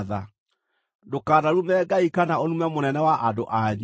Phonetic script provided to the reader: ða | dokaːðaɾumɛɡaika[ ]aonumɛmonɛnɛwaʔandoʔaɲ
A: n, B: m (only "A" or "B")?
A